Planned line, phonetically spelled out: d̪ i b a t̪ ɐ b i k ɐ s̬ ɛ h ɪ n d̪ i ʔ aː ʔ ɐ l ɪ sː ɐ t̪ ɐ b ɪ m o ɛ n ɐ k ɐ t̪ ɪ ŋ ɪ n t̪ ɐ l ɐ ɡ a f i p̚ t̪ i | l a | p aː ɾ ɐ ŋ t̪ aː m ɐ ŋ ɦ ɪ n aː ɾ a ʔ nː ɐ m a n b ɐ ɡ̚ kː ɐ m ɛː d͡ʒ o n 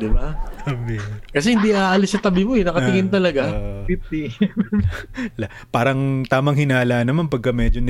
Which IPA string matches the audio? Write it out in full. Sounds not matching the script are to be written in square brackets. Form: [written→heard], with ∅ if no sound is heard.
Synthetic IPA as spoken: d̪ [i→ɪ] b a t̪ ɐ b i k ɐ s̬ ɛ h ɪ n d̪ i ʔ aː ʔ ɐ l ɪ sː ɐ t̪ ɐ b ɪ m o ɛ n ɐ k ɐ t̪ ɪ ŋ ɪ n t̪ ɐ l ɐ ɡ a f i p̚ t̪ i | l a | p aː ɾ ɐ ŋ t̪ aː m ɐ ŋ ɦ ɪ n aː [ɾ→l] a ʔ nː ɐ m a n [b→p] ɐ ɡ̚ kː ɐ m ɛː d͡ʒ o n